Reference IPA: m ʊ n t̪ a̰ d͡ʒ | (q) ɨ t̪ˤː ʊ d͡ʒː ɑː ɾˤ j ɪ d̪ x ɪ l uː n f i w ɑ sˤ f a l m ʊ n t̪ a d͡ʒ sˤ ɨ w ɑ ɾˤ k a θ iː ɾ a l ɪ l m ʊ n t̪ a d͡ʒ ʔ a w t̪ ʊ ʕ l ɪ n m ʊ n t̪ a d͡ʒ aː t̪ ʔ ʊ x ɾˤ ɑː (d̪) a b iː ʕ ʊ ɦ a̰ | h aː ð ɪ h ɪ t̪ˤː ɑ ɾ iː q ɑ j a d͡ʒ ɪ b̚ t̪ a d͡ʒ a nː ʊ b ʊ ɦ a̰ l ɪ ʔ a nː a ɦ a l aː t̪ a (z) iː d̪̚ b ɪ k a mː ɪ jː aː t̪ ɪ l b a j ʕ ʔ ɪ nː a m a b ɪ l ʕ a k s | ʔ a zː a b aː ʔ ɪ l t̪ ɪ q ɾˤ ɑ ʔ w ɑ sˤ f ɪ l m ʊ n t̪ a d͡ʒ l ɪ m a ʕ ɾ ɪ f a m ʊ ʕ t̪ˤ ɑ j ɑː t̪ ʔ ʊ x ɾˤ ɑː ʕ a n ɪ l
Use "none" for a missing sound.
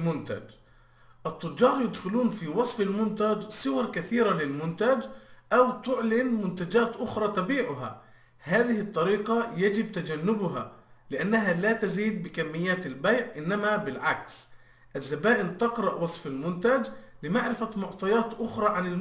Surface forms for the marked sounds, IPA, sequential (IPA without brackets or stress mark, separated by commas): ʔ, t̪, z